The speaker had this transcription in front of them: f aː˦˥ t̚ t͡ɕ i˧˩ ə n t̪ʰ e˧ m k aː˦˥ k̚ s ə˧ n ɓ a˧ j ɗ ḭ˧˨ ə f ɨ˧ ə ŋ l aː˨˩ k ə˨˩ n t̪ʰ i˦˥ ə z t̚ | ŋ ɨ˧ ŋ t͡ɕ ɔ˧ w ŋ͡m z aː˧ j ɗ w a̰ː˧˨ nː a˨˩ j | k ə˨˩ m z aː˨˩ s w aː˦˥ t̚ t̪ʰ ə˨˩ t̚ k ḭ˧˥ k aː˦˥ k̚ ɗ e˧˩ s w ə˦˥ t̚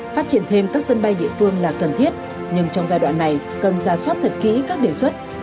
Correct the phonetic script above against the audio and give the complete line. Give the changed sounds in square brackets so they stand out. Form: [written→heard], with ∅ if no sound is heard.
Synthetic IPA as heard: f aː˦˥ t̚ t͡ɕ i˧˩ ə n t̪ʰ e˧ m k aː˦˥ k̚ s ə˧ n ɓ a˧ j ɗ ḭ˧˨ ə f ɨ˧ ə ŋ l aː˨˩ k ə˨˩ n t̪ʰ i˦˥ ə [z→∅] t̚ | [ŋ→ɲ] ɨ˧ ŋ t͡ɕ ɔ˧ w ŋ͡m z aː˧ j ɗ w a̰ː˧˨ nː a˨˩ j | k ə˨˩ [m→n] z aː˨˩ s w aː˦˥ t̚ t̪ʰ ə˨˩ t̚ k ḭ˧˥ k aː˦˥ k̚ ɗ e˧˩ s w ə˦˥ t̚

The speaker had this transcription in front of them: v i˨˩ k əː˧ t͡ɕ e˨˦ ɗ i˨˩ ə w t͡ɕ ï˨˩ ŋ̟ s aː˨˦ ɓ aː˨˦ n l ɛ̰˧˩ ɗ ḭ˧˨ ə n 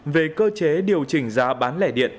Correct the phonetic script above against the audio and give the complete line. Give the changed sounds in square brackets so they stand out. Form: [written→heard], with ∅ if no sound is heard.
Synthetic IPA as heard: v [i˨˩→e˨˩] k əː˧ t͡ɕ e˨˦ ɗ i˨˩ ə w t͡ɕ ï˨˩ ŋ̟ [s→z] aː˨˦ ɓ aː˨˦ n l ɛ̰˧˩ ɗ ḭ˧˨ ə n

